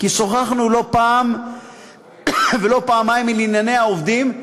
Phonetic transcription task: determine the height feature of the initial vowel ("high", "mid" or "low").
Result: high